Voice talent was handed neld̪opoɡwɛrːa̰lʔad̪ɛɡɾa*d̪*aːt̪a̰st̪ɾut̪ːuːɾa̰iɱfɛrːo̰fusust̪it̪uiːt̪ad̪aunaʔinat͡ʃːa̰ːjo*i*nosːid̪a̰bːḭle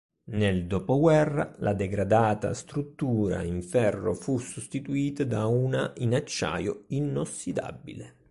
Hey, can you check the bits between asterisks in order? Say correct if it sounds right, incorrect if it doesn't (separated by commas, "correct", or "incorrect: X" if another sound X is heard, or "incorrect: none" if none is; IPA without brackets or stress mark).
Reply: correct, correct